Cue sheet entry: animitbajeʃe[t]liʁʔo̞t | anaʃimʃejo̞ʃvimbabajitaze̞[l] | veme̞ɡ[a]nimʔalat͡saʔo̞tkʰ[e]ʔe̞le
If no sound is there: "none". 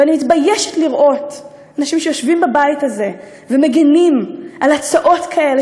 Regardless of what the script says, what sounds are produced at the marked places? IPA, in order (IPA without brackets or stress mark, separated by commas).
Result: t, none, i, a